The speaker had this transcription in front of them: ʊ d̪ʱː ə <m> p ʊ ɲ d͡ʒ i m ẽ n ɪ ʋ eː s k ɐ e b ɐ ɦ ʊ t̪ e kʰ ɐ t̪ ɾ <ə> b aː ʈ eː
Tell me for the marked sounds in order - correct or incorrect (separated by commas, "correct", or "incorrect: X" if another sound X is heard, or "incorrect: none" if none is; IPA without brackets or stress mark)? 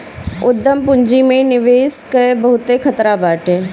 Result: correct, incorrect: a